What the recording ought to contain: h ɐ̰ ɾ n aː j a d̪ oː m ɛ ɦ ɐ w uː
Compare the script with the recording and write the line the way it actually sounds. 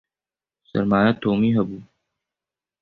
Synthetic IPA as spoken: s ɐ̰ ɾ m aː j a t̪ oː m i ɦ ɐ b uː